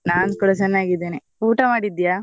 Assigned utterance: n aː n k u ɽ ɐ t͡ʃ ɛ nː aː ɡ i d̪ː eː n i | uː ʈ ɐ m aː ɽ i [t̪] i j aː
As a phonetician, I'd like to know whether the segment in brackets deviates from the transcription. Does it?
yes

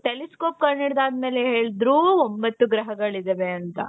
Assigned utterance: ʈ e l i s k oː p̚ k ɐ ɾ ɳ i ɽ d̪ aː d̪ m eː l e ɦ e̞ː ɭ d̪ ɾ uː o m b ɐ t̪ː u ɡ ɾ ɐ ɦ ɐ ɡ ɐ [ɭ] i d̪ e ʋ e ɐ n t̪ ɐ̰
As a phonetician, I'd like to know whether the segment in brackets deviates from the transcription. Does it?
no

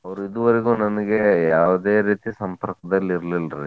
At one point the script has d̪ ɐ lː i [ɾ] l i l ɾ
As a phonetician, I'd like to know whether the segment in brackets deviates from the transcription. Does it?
no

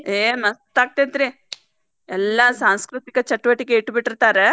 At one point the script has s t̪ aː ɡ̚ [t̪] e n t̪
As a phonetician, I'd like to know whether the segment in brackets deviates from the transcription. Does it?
no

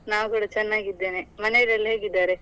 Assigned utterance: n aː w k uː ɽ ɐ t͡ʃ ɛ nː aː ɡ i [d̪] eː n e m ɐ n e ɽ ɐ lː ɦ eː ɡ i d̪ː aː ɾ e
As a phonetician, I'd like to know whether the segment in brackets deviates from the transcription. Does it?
yes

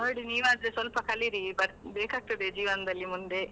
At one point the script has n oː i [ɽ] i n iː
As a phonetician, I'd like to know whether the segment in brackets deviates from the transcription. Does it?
no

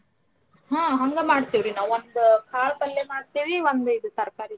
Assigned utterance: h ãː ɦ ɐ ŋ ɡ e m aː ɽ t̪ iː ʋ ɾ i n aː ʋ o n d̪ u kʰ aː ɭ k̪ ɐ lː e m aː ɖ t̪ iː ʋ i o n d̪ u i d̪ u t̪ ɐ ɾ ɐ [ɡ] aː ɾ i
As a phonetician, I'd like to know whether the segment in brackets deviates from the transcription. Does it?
yes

